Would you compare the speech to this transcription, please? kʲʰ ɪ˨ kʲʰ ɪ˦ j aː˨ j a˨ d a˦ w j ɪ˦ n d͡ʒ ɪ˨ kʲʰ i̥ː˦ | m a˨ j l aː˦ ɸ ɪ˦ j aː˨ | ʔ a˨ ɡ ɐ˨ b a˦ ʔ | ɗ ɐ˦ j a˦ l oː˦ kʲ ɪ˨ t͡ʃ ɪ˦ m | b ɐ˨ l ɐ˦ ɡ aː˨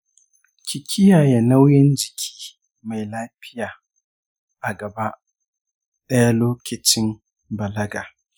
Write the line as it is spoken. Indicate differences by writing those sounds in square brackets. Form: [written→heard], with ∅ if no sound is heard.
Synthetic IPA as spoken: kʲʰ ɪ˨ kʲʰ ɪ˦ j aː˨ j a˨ [d→n] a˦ w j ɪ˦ n d͡ʒ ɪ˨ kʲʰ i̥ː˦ | m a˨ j l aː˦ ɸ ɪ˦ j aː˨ | ʔ a˨ ɡ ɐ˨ b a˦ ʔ | ɗ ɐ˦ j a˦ l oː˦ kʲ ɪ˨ t͡ʃ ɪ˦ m | b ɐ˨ l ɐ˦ ɡ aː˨